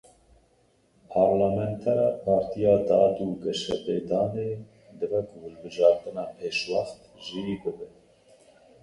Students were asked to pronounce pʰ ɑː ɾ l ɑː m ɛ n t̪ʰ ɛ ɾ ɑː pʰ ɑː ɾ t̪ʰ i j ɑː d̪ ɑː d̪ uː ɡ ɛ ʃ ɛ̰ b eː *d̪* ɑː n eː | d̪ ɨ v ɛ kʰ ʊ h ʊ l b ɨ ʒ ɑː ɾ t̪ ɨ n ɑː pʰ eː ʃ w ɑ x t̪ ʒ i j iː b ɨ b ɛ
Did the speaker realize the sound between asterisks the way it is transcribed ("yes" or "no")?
yes